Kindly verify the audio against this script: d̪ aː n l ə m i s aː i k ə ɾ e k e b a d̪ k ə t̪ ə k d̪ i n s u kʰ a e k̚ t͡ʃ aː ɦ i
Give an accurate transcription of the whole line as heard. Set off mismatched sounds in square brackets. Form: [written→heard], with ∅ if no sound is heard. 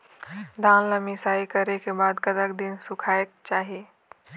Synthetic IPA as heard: d̪ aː n l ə m i s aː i k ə ɾ e k e b a d̪ k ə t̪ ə k d̪ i n s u kʰ a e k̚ t͡ʃ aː ɦ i

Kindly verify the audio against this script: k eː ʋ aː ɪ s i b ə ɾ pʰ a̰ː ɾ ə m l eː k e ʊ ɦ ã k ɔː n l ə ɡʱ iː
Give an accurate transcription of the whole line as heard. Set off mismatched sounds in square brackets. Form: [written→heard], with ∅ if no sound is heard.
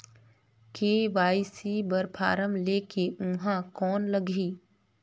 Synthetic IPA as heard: k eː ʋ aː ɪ s i b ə ɾ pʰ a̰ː ɾ ə m l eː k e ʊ ɦ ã k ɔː n l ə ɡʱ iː

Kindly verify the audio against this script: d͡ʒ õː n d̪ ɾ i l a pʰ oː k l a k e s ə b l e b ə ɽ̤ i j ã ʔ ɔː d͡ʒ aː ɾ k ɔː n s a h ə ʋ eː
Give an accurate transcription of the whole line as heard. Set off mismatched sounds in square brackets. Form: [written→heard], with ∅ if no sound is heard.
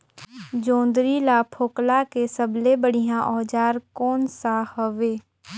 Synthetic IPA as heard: d͡ʒ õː n d̪ ɾ i l a pʰ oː k l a k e s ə b l e b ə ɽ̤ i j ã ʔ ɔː d͡ʒ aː ɾ k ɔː n s a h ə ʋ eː

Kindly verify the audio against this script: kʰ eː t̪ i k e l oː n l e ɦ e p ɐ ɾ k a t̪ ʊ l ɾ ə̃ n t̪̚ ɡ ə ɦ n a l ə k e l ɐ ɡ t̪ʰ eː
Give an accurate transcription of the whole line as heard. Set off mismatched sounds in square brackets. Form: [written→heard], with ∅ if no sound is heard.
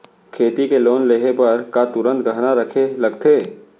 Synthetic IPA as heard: kʰ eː t̪ i k e l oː n l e ɦ e p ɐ ɾ k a t̪ ʊ [l→∅] ɾ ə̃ n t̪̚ ɡ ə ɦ n a [l→ɾ] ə [k→kʰ] e l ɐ ɡ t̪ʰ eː

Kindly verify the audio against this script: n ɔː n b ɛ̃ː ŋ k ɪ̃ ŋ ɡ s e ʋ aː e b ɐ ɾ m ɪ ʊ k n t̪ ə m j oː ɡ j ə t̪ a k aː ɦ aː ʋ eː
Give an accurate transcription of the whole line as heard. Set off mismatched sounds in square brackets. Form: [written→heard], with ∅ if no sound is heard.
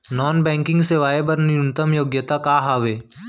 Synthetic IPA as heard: n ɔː n b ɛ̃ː ŋ k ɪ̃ ŋ ɡ s e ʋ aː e b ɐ ɾ [m→n] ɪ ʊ [k→∅] n t̪ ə m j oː ɡ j ə t̪ a k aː ɦ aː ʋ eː

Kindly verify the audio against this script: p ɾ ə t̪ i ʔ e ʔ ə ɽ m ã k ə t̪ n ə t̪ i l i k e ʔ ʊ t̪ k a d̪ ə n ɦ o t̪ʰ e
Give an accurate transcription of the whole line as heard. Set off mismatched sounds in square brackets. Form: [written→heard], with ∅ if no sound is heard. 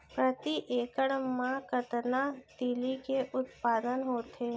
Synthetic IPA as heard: p ɾ ə t̪ i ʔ e [ʔ→k] ə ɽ m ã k ə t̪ n [ə→a] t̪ i l i k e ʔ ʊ t̪ [k→p] a d̪ ə n ɦ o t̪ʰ e

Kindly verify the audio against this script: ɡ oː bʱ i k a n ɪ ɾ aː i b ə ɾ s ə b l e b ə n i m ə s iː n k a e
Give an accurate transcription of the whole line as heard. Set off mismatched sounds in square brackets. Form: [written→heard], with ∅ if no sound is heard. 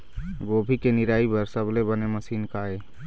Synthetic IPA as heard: ɡ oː bʱ i k [a→e] n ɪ ɾ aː i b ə ɾ s ə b l e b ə n [i→e] m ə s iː n k a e

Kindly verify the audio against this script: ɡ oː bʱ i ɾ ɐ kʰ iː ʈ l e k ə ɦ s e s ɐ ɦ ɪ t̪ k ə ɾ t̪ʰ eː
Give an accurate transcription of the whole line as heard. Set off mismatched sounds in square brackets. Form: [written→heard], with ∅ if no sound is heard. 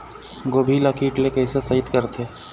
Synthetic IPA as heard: ɡ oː bʱ i [ɾ→l] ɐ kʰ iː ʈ l e k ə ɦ s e s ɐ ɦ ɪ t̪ k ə ɾ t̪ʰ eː

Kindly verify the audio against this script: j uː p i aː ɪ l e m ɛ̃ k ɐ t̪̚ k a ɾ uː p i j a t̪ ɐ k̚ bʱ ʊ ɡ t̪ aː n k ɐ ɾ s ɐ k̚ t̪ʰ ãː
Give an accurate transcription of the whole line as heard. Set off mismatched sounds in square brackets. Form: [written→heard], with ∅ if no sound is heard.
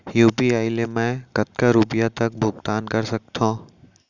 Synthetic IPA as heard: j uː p i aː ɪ l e m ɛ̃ k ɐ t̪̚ k a ɾ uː p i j a t̪ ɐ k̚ bʱ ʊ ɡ t̪ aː n k ɐ ɾ s ɐ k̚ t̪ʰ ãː

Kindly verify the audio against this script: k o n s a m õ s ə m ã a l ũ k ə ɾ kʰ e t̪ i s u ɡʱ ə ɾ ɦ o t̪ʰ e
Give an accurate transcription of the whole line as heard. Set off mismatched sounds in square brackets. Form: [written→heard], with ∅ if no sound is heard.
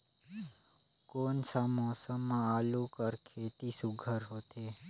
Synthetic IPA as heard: k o n s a m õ s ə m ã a l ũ k ə ɾ kʰ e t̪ i s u ɡʱ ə ɾ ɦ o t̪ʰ e

